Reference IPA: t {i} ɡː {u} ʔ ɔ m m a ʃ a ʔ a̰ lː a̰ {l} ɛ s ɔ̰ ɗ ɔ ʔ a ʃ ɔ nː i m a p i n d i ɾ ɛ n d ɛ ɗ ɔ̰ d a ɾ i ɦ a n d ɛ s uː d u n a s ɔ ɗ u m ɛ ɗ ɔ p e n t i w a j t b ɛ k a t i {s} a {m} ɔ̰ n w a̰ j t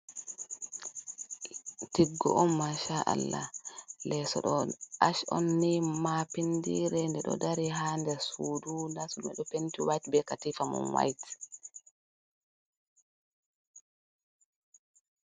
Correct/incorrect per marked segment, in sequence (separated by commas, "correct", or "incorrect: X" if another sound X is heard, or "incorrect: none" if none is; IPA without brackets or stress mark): correct, incorrect: ɔ, correct, incorrect: f, correct